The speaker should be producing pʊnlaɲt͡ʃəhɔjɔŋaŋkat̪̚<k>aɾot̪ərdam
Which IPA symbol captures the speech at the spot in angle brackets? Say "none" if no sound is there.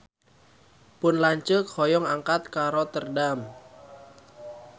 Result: k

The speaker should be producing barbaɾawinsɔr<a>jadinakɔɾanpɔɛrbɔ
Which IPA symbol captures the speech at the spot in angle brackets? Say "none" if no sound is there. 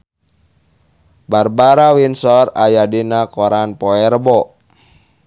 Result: a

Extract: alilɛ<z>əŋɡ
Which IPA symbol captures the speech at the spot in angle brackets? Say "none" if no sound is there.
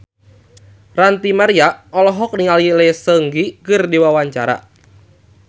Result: s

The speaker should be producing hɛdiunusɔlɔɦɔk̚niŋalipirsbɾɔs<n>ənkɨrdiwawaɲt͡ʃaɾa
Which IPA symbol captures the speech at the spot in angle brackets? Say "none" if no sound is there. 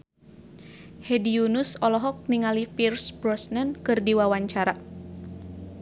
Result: n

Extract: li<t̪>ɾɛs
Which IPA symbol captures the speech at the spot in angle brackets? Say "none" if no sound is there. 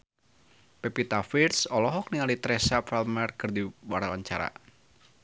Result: t̪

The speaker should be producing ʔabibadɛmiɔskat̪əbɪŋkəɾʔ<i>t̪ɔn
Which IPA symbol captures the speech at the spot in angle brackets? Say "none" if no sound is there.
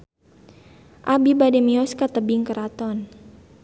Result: a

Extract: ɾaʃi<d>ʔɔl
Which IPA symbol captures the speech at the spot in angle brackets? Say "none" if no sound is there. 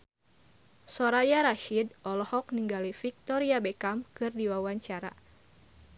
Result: d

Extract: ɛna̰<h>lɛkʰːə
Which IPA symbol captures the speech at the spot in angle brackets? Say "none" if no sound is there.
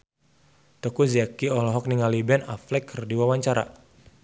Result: f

